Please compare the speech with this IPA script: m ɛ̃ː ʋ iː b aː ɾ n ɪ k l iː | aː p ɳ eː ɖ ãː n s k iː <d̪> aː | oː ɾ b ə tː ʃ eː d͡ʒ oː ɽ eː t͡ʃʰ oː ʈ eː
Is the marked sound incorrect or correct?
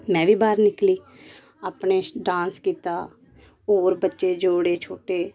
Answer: incorrect